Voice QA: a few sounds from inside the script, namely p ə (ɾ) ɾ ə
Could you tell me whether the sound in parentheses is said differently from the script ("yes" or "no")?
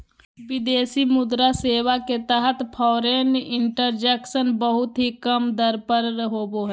no